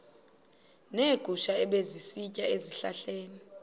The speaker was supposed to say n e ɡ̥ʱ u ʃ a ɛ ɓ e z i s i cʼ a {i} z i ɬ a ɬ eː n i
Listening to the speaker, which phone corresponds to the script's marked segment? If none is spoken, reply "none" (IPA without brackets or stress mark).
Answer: e